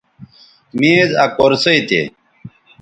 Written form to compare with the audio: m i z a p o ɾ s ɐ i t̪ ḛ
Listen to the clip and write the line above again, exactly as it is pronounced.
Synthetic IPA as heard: m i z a k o ɾ s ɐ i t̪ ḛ

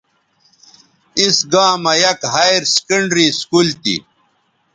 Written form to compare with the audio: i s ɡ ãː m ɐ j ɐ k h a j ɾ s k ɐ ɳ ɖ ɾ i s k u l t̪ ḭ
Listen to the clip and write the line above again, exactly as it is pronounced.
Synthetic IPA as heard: i s ɡ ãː m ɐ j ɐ k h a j ɾ s k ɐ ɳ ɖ ɾ i s k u l t̪ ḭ

